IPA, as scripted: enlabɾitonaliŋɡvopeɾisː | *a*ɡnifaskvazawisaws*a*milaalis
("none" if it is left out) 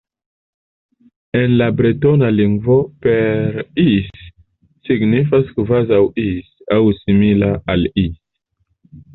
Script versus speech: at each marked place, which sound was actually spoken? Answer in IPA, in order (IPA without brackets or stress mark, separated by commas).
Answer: i, i